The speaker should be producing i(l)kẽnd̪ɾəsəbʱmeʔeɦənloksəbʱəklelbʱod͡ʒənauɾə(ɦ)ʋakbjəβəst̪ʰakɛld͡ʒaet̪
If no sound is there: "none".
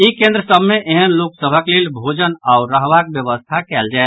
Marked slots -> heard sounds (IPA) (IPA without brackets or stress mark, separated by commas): none, ɦ